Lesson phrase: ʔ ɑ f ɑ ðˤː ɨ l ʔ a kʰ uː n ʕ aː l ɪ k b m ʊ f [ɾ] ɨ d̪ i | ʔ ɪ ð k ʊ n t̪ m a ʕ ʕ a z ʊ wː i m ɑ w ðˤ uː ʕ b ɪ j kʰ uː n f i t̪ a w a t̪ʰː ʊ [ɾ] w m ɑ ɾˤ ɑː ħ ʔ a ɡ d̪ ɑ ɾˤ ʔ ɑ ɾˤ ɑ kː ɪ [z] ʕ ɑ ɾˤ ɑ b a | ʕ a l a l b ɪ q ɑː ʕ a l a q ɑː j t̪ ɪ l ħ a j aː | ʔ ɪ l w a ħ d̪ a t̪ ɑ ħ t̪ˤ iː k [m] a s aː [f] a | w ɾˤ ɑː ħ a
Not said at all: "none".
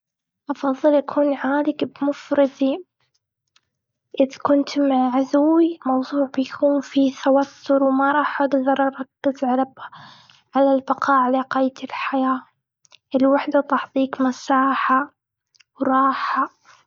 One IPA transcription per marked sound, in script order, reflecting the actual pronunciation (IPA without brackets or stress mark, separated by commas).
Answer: ɾ, ɾ, z, m, ħ